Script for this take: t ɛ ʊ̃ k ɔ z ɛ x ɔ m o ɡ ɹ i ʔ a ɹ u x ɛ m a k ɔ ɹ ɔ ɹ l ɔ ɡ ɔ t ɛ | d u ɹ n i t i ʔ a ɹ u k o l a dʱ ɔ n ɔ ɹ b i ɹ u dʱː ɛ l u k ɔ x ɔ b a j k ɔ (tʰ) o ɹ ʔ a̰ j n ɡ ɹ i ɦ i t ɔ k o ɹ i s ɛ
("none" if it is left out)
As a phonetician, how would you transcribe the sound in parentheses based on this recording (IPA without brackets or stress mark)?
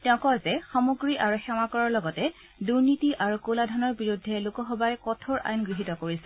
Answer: tʰ